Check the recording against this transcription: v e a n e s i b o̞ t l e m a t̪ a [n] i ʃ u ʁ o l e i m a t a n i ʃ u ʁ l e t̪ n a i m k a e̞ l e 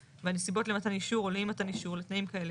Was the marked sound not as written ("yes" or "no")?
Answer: no